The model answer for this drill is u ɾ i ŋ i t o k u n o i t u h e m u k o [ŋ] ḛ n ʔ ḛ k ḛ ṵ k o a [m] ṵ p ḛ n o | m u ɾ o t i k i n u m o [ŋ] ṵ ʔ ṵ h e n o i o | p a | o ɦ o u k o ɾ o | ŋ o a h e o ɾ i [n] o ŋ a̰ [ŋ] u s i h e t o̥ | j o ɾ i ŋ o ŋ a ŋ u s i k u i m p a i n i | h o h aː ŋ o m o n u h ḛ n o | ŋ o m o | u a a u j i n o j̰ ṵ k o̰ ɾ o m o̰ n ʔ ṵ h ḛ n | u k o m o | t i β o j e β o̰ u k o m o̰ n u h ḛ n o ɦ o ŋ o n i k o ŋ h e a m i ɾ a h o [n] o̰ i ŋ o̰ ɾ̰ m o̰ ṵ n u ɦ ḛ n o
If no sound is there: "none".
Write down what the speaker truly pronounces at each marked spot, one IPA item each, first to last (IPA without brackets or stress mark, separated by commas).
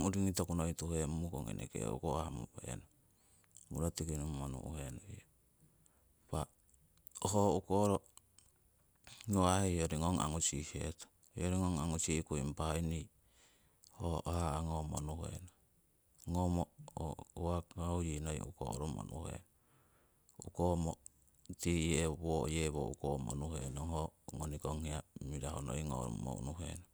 ŋ, m, n, ŋ, ŋ, n